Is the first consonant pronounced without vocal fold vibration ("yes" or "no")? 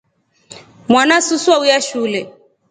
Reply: no